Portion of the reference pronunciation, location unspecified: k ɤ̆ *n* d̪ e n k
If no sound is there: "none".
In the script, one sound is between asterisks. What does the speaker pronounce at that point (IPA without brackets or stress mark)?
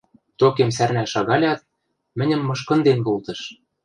n